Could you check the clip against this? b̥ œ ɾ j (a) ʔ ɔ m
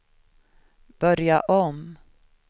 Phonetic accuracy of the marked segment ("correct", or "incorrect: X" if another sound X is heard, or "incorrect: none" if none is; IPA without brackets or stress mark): correct